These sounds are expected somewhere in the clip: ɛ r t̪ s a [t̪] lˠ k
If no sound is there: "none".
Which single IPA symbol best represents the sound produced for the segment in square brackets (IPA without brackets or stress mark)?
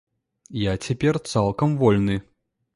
none